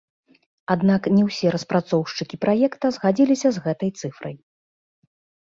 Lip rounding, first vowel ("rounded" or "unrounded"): unrounded